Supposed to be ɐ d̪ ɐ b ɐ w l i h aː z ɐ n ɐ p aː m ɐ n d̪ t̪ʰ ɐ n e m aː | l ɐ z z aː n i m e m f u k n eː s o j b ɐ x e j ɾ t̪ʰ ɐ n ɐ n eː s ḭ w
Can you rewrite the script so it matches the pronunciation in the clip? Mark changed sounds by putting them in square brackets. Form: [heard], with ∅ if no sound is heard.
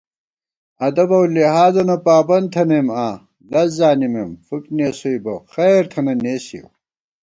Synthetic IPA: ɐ d̪ ɐ b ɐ w l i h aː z ɐ n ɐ p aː [b] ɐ n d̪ t̪ʰ ɐ n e m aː | l ɐ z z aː n i m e m f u k n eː s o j b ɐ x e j ɾ t̪ʰ ɐ n ɐ n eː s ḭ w